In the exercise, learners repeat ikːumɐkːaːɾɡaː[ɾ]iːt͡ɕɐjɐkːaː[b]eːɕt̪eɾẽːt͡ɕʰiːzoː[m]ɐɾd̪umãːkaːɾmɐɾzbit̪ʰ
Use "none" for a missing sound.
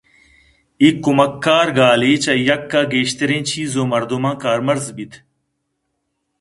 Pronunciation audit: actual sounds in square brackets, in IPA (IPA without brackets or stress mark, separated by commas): l, ɡ, m